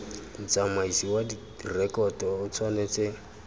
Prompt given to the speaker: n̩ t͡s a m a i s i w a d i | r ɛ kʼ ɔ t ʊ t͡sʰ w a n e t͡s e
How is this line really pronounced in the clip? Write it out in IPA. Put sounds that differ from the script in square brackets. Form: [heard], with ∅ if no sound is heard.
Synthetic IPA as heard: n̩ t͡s a m a i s i w a d i | r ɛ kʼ ɔ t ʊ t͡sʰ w a n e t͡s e